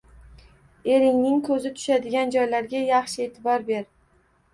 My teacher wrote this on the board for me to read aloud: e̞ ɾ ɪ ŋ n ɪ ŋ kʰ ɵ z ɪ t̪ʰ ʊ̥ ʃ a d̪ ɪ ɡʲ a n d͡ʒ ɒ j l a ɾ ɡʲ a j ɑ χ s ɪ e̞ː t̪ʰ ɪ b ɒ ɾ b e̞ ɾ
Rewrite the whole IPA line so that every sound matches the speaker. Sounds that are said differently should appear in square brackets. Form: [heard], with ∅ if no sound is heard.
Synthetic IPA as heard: e̞ ɾ ɪ ŋ n ɪ ŋ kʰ ɵ z ɪ t̪ʰ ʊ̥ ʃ a d̪ ɪ ɡʲ a n d͡ʒ ɒ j l a ɾ ɡʲ a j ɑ χ [ʃ] ɪ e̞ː t̪ʰ ɪ b ɒ ɾ b e̞ ɾ

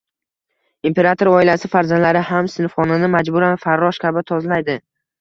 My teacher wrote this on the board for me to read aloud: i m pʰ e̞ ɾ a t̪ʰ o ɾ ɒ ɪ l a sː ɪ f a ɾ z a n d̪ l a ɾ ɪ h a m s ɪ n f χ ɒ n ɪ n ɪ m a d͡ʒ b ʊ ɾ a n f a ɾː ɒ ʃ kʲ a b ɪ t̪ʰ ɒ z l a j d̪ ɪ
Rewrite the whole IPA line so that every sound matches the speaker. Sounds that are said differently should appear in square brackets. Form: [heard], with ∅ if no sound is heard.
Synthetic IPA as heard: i m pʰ e̞ ɾ a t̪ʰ o ɾ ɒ ɪ l a [s] ɪ f a ɾ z a n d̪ l a ɾ ɪ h a m s ɪ n f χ ɒ n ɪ n ɪ m a d͡ʒ b ʊ ɾ a n f a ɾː ɒ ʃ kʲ a b ɪ t̪ʰ ɒ z l a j d̪ ɪ

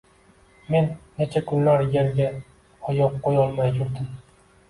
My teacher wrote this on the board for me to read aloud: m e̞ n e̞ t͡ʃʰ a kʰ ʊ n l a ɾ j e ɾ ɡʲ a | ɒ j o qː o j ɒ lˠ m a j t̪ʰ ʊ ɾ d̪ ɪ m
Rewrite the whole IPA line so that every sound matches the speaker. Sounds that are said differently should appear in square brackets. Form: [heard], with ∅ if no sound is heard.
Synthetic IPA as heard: m e̞ [nː] e̞ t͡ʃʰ a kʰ ʊ n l a ɾ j e ɾ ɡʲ a | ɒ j [ɒ] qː o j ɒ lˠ m a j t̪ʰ ʊ ɾ d̪ ɪ m

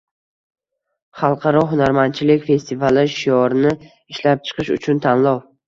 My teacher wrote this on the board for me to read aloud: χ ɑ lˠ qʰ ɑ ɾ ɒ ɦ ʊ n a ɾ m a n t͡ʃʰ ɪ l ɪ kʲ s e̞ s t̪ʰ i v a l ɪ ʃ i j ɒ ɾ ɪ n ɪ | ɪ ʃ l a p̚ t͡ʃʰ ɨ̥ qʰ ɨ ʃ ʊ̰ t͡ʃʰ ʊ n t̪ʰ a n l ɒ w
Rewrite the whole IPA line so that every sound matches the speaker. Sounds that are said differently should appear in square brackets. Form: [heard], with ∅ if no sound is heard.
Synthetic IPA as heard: χ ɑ lˠ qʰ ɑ ɾ ɒ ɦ ʊ n a ɾ m a n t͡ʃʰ ɪ l ɪ kʲ [f] e̞ s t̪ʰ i v a l ɪ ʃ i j ɒ ɾ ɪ n ɪ | ɪ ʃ l a p̚ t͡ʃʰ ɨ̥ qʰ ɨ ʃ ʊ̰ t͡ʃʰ ʊ n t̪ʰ a n l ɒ w

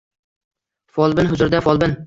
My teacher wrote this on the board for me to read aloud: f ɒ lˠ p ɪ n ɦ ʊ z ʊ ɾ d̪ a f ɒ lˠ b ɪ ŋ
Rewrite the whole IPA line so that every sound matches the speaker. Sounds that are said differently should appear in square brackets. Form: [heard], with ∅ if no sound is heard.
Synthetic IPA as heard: f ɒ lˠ [b] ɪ n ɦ ʊ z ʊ ɾ d̪ a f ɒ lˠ b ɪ [n]

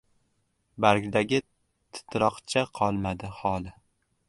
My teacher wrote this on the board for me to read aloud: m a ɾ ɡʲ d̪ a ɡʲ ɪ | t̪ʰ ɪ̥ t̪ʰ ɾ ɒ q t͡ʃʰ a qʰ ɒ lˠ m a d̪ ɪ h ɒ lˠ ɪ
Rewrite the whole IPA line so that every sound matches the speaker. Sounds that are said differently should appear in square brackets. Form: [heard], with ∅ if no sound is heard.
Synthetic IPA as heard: [b] a ɾ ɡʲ d̪ a ɡʲ ɪ | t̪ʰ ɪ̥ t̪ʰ ɾ ɒ q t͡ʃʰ a qʰ ɒ lˠ m a d̪ ɪ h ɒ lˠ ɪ

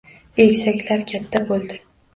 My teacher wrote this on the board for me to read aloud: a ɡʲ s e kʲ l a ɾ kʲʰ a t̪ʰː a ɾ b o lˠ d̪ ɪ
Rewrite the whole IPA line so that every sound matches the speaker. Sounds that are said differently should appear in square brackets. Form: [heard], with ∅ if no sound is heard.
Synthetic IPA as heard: [e] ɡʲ s [a] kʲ l a ɾ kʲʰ a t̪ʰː a [∅] b o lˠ d̪ ɪ

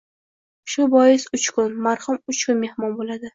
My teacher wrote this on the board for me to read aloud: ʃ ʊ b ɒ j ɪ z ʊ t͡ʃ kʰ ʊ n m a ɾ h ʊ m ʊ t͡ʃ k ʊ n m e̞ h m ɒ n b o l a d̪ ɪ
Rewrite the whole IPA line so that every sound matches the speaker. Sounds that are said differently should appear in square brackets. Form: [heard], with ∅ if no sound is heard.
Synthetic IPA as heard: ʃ ʊ b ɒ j ɪ [s] ʊ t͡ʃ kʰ ʊ n m a ɾ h ʊ m ʊ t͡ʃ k ʊ n m e̞ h m ɒ n b o l a d̪ ɪ

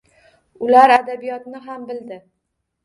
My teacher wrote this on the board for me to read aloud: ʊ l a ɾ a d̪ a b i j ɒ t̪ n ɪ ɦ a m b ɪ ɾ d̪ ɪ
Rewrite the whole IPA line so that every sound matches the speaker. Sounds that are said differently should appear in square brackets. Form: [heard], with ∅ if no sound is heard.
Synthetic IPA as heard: ʊ l a ɾ a d̪ a b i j ɒ t̪ n ɪ ɦ a m b ɪ [l] d̪ ɪ

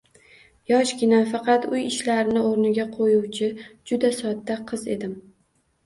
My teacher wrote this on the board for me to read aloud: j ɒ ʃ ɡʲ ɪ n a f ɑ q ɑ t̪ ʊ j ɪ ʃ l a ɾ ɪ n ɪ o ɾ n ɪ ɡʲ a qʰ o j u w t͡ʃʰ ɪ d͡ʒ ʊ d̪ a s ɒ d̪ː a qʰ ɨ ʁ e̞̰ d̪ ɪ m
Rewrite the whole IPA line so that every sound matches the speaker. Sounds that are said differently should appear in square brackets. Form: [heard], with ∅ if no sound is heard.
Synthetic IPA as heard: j ɒ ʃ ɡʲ ɪ n a f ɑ q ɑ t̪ ʊ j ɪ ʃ l a ɾ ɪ n ɪ o ɾ n ɪ ɡʲ a qʰ o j u w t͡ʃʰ ɪ d͡ʒ ʊ d̪ a s ɒ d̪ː a qʰ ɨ [z] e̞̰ d̪ ɪ m

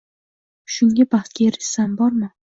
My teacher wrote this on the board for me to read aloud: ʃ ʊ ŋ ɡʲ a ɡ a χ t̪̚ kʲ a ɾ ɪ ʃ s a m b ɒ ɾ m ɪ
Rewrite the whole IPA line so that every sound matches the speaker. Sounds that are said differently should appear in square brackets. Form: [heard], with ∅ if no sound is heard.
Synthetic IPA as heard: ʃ ʊ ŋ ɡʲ a [b] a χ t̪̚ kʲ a ɾ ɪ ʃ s a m b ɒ ɾ m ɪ

